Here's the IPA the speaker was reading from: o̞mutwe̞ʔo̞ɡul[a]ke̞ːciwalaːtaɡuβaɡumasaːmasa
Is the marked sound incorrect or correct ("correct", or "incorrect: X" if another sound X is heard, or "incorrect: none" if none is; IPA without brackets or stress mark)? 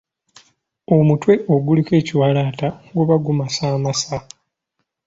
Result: incorrect: i